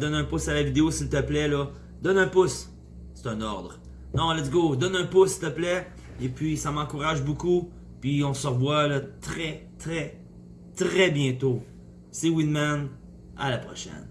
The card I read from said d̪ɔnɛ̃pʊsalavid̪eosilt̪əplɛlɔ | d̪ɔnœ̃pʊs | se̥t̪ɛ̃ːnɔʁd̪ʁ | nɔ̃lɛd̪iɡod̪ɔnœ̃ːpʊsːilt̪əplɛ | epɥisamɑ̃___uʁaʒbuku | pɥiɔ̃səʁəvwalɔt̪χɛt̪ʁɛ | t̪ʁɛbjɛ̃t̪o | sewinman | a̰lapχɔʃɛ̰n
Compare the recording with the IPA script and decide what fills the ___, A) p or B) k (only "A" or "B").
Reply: B